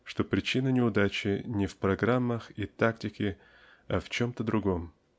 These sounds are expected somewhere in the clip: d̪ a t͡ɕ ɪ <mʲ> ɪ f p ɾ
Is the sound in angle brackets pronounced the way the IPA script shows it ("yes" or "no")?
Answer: no